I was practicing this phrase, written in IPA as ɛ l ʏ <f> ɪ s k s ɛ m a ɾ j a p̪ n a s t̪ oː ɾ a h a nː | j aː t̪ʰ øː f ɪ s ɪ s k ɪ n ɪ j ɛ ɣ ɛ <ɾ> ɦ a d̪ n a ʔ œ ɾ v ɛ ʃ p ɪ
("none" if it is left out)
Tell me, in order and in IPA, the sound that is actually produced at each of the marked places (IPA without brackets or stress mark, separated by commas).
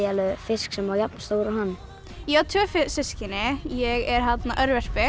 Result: f, ɾ